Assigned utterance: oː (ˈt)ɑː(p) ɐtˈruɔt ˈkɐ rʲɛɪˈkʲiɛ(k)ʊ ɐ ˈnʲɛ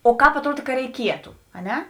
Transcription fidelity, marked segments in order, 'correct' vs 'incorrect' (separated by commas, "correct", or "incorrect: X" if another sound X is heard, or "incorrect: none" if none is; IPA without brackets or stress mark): incorrect: k, correct, incorrect: t